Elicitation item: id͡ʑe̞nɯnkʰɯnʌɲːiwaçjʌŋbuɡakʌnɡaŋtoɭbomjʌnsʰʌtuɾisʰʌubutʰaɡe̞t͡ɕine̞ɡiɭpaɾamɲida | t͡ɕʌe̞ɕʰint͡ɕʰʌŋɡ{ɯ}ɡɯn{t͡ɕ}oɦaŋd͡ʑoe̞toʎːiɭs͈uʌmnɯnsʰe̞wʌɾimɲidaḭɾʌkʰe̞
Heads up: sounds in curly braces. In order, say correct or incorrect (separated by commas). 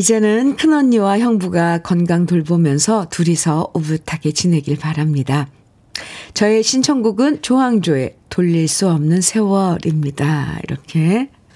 incorrect, correct